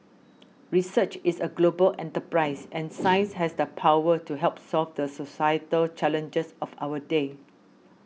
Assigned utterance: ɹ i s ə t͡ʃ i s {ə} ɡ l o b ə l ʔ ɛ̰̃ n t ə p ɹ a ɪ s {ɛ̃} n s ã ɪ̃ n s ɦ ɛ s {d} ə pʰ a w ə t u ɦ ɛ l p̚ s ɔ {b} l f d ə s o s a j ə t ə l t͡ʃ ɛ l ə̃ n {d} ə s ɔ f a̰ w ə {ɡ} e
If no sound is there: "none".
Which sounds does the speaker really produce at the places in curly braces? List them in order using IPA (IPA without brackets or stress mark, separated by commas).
ə, ɛ̃, d, none, d͡ʒ, d